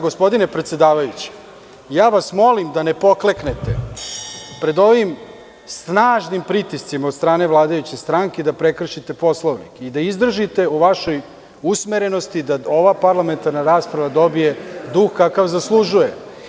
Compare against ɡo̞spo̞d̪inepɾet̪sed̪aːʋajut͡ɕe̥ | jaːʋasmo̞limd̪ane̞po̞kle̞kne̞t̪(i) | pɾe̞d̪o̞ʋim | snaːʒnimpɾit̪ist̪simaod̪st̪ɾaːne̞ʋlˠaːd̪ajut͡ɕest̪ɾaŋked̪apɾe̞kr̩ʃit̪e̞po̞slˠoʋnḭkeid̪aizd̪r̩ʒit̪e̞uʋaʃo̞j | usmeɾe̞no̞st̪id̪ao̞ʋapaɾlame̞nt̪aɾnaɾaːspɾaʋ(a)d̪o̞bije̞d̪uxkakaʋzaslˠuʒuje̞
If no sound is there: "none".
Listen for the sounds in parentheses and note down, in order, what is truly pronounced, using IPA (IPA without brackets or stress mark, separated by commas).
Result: e, a